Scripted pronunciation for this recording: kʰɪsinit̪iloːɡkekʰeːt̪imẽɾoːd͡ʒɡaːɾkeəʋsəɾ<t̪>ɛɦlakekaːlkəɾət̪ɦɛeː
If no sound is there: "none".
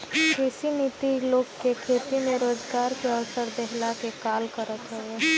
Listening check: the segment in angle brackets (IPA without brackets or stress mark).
d̪